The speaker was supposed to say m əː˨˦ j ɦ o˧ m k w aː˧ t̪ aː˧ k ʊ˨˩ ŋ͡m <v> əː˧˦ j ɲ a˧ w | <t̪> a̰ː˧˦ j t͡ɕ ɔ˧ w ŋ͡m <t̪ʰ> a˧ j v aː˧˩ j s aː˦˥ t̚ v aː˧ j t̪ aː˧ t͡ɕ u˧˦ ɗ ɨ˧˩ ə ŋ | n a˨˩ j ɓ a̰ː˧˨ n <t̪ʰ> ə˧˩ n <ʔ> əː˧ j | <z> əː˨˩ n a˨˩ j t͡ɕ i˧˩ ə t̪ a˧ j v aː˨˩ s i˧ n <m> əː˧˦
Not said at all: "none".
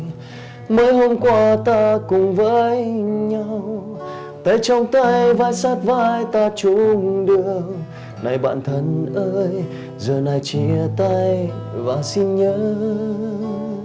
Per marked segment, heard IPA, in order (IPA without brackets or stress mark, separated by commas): v, t̪, t̪, t̪ʰ, ʔ, z, ɲ